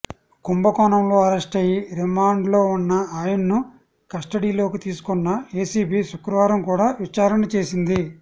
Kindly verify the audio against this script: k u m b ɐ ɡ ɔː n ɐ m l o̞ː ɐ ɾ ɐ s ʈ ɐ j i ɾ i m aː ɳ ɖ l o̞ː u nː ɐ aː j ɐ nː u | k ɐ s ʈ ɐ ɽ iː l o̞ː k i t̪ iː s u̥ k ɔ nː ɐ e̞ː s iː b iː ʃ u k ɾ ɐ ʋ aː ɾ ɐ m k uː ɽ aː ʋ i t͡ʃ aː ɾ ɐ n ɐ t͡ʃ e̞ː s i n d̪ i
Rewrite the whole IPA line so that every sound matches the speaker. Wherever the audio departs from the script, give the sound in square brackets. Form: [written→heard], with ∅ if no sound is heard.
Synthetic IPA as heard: k u m b ɐ [ɡ→k] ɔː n ɐ m l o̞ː ɐ ɾ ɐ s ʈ ɐ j i ɾ i m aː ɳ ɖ l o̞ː u nː ɐ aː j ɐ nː u | k ɐ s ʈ ɐ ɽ iː l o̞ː k i t̪ iː s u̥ k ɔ nː ɐ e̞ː s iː b iː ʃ u k ɾ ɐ ʋ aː ɾ ɐ m k uː ɽ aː ʋ i t͡ʃ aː ɾ ɐ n ɐ t͡ʃ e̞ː s i n d̪ i